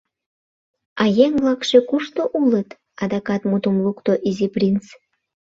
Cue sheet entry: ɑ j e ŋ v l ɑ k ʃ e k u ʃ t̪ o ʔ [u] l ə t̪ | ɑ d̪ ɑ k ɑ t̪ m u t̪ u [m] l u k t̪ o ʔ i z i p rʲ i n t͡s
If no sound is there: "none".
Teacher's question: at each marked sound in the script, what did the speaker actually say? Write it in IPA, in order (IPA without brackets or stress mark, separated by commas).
u, m